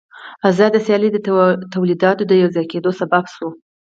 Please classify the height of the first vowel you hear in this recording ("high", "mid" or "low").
low